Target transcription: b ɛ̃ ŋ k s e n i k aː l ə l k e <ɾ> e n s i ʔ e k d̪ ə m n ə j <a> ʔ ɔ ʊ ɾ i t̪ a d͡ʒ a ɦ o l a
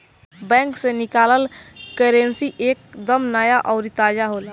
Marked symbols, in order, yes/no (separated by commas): yes, yes